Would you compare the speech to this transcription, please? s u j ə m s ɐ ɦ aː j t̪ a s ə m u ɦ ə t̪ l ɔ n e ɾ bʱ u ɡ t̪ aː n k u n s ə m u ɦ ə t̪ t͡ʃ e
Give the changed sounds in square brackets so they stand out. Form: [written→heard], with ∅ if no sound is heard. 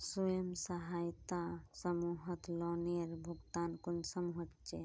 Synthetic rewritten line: s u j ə m s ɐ ɦ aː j t̪ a s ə m u ɦ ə t̪ l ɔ n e ɾ bʱ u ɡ t̪ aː n k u n s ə m u ɦ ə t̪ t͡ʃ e